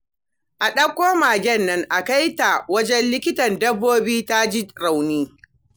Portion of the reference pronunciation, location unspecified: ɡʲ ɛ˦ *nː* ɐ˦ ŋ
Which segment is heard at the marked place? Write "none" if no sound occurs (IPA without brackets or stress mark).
nː